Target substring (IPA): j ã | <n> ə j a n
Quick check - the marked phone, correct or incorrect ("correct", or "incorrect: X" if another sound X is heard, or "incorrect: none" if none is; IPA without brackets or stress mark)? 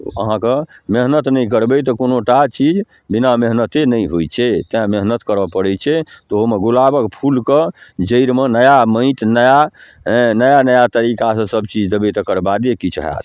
correct